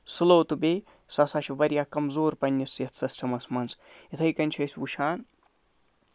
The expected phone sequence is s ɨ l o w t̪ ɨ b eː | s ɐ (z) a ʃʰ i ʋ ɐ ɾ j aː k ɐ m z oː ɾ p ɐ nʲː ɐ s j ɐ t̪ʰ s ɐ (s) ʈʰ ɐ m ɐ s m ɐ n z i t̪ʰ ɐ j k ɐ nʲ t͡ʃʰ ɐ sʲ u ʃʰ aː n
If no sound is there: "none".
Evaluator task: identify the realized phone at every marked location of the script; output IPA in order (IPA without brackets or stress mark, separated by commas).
s, s